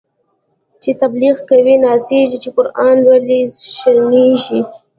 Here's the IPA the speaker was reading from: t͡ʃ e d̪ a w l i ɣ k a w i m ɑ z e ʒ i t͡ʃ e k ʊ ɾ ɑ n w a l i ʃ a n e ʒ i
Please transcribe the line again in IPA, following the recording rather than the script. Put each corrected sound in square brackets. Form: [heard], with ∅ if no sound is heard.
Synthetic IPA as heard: t͡ʃ e [t̪] a [b] l i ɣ k a w i [n] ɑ [s] e ʒ i t͡ʃ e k ʊ ɾ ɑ n w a l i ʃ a n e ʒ i